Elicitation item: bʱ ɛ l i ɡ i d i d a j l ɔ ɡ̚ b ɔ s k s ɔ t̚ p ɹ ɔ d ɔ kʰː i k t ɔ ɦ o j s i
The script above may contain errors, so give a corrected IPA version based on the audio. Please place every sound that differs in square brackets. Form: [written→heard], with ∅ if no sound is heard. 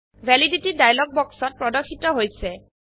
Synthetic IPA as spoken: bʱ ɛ l i [ɡ→d] i [d→t] i d a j l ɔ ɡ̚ b ɔ [s→∅] k s ɔ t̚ p ɹ ɔ d ɔ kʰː i [k→∅] t ɔ ɦ o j s [i→ɛ]